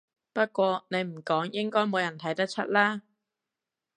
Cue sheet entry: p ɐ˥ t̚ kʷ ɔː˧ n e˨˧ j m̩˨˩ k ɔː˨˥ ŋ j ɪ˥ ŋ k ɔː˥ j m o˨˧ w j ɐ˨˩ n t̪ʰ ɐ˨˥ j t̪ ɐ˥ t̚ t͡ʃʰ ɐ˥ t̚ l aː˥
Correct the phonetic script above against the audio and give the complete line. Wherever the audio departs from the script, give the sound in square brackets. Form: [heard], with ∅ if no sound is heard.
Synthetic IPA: p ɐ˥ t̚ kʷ ɔː˧ n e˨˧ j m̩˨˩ k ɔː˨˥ ŋ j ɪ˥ ŋ k ɔː˥ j m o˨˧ w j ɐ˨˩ n t̪ʰ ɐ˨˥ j t̪ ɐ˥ [k̚] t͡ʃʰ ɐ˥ t̚ l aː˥